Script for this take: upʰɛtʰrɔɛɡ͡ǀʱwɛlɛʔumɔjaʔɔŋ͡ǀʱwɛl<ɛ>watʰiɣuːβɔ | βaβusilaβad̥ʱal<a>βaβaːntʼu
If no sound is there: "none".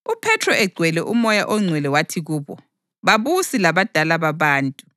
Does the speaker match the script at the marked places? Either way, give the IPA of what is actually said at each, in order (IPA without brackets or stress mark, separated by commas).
ɛ, a